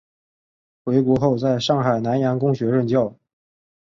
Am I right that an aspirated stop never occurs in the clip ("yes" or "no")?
yes